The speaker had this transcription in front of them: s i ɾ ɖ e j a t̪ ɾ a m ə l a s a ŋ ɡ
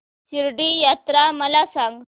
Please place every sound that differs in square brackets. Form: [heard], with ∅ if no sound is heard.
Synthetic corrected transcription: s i ɾ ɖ [i] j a t̪ ɾ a m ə l a s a ŋ ɡ